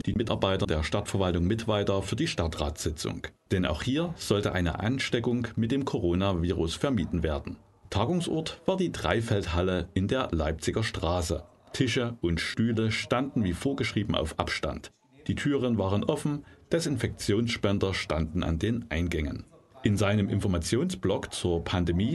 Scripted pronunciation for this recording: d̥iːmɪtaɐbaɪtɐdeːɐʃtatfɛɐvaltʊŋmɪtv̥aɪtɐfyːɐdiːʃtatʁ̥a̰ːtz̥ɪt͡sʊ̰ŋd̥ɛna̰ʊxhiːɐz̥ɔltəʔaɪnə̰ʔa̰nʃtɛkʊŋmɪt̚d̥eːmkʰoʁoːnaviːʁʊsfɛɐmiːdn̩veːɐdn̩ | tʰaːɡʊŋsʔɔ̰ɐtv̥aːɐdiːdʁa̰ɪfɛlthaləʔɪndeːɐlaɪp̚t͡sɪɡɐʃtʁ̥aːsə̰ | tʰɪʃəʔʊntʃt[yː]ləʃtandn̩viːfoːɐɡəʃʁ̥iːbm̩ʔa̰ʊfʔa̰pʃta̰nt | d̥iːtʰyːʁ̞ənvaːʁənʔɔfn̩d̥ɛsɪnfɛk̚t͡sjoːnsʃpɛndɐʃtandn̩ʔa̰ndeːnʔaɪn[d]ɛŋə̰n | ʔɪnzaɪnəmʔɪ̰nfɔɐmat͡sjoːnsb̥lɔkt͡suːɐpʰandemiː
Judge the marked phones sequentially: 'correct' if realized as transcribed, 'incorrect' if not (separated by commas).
correct, incorrect